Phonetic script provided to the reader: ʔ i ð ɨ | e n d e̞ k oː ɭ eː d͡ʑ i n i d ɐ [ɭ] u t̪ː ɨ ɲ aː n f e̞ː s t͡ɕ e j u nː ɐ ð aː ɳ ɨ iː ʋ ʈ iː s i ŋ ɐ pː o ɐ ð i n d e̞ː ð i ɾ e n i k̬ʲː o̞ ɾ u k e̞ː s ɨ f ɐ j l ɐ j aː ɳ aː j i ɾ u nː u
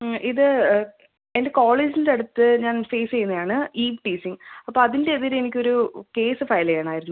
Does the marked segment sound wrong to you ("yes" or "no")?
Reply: yes